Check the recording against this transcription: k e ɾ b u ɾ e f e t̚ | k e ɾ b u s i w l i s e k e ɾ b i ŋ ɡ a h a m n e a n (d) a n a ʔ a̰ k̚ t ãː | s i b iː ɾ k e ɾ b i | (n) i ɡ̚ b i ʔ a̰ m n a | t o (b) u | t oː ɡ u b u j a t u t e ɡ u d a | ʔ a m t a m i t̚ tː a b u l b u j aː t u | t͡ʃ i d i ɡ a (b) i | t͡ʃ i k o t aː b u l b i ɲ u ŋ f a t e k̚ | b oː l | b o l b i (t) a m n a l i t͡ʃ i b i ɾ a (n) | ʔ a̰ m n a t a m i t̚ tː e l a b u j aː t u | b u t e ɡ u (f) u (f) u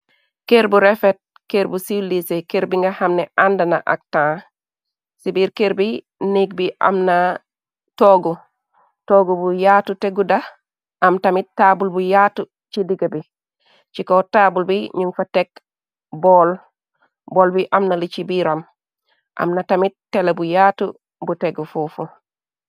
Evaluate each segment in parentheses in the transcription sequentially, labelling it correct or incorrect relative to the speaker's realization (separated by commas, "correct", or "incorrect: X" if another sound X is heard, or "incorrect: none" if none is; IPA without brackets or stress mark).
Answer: correct, correct, incorrect: ɡ, correct, incorrect: ʔ, incorrect: m, correct, correct